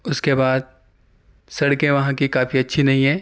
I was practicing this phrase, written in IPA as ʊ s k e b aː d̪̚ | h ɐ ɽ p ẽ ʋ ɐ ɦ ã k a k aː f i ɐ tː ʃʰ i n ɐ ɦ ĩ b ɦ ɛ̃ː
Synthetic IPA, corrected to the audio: ʊ s k e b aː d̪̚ | s ɐ ɽ k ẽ ʋ ɐ ɦ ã k i k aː f i ɐ tː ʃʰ i n ɐ ɦ ĩ ɦ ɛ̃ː